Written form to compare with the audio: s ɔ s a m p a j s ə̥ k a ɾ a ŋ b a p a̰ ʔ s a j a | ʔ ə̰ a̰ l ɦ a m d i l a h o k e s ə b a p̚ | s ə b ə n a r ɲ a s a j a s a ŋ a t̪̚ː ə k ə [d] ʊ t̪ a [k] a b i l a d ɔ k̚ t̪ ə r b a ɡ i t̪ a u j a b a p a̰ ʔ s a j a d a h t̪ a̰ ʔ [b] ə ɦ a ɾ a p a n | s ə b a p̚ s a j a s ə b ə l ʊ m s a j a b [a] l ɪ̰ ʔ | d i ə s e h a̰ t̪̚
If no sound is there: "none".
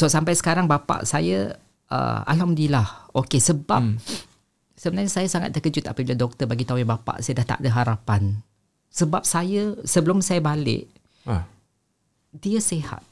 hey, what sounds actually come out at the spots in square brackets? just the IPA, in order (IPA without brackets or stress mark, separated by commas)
d͡ʒ, p, d, a